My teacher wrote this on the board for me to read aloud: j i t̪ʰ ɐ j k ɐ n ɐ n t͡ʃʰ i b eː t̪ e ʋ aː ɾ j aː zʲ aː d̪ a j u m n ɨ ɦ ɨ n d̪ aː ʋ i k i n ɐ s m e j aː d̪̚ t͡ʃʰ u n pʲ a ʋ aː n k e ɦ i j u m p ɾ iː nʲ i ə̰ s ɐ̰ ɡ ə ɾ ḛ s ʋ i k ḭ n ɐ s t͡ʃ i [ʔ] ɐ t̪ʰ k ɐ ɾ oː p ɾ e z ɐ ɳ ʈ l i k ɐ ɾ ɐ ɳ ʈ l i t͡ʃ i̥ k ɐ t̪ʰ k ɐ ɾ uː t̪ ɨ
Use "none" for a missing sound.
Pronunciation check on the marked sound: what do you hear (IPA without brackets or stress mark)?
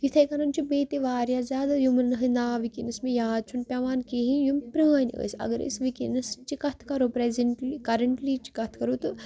k